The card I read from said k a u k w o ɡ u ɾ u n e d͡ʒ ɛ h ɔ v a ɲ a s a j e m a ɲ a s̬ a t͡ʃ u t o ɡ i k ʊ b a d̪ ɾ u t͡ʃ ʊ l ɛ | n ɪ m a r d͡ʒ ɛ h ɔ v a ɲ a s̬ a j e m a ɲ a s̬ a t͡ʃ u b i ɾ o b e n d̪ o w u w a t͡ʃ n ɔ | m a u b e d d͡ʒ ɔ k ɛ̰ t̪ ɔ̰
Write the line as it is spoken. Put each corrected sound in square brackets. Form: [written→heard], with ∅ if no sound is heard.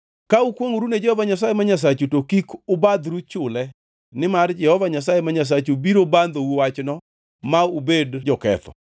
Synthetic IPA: k a u k w o [ɡ→ŋ] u ɾ u n e d͡ʒ ɛ h ɔ v a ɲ a s a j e m a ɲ a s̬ a t͡ʃ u t o [ɡ→k] i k ʊ b a d̪ ɾ u t͡ʃ ʊ l ɛ | n ɪ m a r d͡ʒ ɛ h ɔ v a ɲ a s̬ a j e m a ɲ a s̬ a t͡ʃ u b i ɾ o b [e→a] n d̪ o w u w a t͡ʃ n ɔ | m a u b e d d͡ʒ ɔ k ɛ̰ t̪ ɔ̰